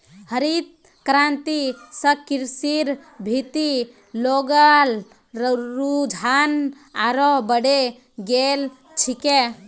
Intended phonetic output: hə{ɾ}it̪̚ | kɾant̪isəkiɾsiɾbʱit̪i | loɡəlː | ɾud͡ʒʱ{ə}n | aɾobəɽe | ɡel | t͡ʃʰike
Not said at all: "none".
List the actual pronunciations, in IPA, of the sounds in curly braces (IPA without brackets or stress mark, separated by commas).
ɾ, a